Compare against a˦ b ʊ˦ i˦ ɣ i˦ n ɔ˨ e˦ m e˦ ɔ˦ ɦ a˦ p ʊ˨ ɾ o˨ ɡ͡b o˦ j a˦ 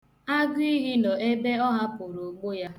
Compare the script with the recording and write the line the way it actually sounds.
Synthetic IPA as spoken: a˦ ɡ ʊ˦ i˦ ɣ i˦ n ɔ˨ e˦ b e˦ ɔ˦ ɦ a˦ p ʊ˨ ɾ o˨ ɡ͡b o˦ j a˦